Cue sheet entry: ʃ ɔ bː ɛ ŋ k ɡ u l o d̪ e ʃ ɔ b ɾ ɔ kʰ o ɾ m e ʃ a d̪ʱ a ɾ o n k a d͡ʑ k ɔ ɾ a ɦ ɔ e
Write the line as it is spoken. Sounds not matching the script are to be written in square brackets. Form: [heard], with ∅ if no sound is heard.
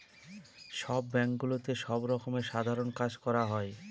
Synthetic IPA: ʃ ɔ bː ɛ ŋ k ɡ u l o [t̪] e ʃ ɔ b ɾ ɔ [k] o [∅] m e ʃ a d̪ʱ a ɾ o n k a d͡ʑ k ɔ ɾ a ɦ ɔ e

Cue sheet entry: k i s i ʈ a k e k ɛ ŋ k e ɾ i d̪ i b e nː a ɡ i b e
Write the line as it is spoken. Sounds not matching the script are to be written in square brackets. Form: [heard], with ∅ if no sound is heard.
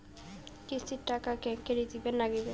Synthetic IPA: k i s i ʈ a k [a] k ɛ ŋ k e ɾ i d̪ i b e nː a ɡ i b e

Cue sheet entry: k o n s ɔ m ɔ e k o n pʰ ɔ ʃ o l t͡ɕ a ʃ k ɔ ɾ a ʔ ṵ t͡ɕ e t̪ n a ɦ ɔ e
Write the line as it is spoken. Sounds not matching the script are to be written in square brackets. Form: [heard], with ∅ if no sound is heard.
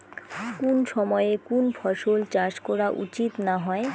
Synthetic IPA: k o n [ʃ] ɔ m ɔ e k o n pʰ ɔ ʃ o l t͡ɕ a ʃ k ɔ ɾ a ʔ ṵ t͡ɕ [i] t̪ n a ɦ ɔ e

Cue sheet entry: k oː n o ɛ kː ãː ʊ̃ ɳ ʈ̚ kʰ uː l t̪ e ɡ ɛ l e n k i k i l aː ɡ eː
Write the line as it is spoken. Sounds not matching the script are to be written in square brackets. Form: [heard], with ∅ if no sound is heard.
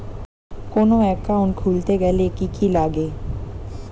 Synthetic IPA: k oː n o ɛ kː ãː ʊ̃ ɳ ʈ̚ kʰ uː l t̪ e ɡ ɛ l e [∅] k i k i l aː ɡ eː

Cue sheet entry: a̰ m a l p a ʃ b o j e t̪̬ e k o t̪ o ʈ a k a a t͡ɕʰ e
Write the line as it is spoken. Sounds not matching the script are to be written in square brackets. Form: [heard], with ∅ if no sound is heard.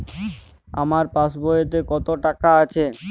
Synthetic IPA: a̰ m a [ɾ] p a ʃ b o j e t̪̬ e k [ɔ] t̪ o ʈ a k a a t͡ɕʰ e

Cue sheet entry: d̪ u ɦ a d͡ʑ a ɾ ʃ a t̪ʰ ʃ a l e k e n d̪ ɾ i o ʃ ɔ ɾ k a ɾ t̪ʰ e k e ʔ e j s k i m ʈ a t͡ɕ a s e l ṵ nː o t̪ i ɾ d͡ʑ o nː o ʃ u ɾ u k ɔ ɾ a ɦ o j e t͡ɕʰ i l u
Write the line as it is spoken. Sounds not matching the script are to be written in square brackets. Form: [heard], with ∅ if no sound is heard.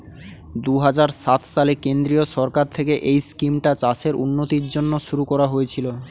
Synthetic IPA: d̪ u ɦ a d͡ʑ a ɾ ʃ a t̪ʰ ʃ a l e k e n d̪ ɾ i o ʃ ɔ ɾ k a ɾ t̪ʰ e k e ʔ e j s k i m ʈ a t͡ɕ a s e [ɾ] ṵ nː o t̪ i ɾ d͡ʑ o nː o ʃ u ɾ u k ɔ ɾ a ɦ o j e t͡ɕʰ i l [o]

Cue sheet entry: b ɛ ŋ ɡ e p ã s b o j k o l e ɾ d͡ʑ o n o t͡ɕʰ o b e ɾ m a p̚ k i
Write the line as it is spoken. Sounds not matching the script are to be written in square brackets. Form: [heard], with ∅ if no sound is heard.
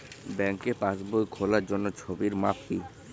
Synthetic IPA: b ɛ ŋ [k] e p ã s b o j [kʰ] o l [a] ɾ d͡ʑ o [nː] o t͡ɕʰ o b [i] ɾ m a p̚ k i

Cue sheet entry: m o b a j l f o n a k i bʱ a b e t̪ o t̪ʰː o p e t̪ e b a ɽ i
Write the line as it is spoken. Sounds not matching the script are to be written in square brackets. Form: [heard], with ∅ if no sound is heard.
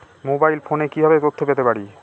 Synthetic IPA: m o b a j l f o n [e] k i bʱ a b e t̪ o t̪ʰː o p e t̪ e [p] a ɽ i

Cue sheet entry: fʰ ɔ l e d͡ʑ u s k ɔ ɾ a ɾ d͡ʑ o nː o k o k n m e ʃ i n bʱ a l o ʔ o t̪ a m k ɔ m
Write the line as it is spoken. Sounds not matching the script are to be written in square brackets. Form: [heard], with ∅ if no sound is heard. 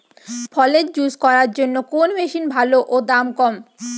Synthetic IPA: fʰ ɔ l e d͡ʑ u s k ɔ ɾ a ɾ d͡ʑ o nː o k o [∅] n m e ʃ i n bʱ a l o ʔ o [d̪] a m k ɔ m

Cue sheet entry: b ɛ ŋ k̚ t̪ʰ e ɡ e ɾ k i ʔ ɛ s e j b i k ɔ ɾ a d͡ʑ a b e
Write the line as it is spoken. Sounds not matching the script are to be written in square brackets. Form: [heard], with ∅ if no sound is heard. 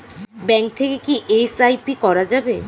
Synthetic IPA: b ɛ ŋ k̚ t̪ʰ e [k] e [∅] k i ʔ [e] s [a] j [p] i k ɔ ɾ a d͡ʑ a b e

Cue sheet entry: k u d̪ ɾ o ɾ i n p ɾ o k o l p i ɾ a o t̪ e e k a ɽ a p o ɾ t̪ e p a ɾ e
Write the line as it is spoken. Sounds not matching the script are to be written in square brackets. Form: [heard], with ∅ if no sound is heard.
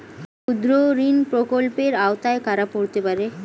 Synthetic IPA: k u d̪ ɾ o ɾ i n p ɾ o k o l p [e] ɾ a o t̪ [a] e k a [ɾ] a p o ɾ t̪ e p a ɾ e

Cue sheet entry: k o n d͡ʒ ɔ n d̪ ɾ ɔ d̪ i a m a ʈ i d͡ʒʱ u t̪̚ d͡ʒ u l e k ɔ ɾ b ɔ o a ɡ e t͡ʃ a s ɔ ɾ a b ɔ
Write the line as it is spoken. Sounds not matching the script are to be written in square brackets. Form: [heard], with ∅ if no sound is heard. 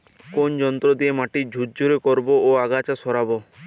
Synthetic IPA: k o n d͡ʒ ɔ n [t̪] ɾ ɔ d̪ i [e] m a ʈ i d͡ʒʱ u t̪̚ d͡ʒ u [ɾ] e k ɔ ɾ b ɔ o a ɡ [a] t͡ʃ a s ɔ ɾ a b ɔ

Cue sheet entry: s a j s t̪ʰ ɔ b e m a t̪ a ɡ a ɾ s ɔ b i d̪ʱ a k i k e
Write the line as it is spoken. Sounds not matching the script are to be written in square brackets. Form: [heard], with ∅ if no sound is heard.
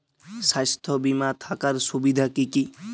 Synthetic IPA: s a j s t̪ʰ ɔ b [i] m a [t̪ʰ] a [k] a ɾ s [u] b i d̪ʱ a k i k [i]

